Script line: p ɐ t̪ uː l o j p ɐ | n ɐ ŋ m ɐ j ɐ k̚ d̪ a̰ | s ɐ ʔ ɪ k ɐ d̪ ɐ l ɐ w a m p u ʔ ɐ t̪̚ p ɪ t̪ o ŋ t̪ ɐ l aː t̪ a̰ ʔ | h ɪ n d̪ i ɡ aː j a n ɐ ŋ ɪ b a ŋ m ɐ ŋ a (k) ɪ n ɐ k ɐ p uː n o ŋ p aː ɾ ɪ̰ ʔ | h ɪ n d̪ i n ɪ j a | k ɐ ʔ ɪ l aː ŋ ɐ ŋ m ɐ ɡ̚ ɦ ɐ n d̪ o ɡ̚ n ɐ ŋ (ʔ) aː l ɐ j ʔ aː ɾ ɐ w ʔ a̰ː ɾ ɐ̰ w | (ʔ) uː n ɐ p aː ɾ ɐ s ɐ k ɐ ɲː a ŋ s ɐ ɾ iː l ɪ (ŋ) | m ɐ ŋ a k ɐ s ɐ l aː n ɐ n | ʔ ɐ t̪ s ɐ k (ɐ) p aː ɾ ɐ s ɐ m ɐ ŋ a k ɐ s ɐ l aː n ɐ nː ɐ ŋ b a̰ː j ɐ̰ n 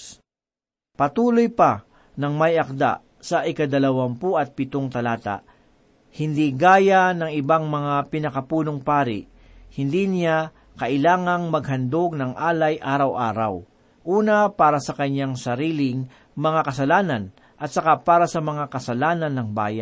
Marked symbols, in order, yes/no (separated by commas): no, yes, yes, yes, no